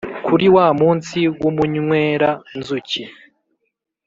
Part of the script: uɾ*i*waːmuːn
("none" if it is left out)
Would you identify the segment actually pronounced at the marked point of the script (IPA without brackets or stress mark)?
i